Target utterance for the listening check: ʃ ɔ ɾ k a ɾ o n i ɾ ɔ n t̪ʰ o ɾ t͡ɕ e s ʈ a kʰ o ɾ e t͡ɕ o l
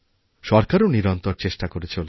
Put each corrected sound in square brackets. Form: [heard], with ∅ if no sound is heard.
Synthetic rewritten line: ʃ ɔ ɾ k a ɾ o n i ɾ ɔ n [t̪] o ɾ t͡ɕ e [ʃ] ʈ a [k] o ɾ e [t͡ɕʰ] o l